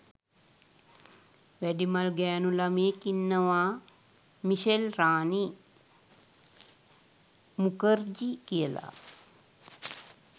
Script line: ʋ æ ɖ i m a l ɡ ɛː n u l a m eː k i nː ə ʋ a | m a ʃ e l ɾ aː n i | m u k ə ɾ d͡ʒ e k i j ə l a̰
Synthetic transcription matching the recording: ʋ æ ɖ i m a l ɡ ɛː n u l a m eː k i nː ə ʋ a | m i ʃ e l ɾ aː n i | m u k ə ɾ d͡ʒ i k i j ə l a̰